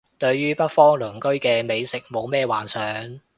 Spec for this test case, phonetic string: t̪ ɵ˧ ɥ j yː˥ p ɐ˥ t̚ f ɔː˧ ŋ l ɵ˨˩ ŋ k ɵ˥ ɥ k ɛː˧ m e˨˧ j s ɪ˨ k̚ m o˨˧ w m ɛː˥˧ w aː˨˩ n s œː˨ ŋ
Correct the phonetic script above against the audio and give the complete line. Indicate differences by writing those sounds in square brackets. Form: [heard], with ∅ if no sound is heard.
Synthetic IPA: t̪ ɵ˧ ɥ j yː˥ p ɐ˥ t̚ f [ɔː˥] ŋ l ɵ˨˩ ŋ k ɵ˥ ɥ k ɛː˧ m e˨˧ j s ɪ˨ k̚ m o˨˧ w m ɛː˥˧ w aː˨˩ n s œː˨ ŋ